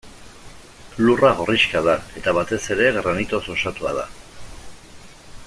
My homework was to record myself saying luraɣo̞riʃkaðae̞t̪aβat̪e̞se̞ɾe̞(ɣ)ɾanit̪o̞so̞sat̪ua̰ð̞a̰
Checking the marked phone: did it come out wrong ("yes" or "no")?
no